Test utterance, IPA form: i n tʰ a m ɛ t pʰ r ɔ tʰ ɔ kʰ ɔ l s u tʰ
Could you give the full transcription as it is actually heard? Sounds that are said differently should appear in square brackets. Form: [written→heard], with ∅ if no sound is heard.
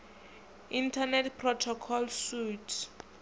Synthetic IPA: i n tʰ a [m→n] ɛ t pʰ r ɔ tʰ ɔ kʰ ɔ l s u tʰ